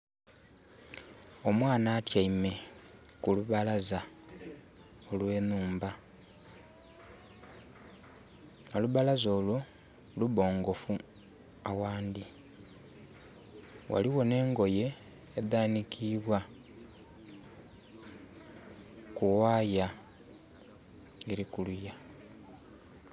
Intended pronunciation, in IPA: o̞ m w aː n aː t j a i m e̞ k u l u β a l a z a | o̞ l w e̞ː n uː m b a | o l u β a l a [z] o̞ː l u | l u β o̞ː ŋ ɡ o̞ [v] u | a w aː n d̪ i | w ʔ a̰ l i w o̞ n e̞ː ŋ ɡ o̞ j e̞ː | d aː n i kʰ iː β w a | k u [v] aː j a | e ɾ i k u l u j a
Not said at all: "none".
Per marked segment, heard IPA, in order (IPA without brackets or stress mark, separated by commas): z, f, w